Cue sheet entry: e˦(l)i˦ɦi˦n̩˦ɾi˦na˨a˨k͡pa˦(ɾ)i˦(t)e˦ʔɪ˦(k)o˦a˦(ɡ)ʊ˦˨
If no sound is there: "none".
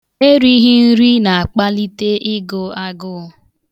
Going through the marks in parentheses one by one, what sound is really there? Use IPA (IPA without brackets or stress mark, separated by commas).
ɾ, l, t, ɡ, ɡ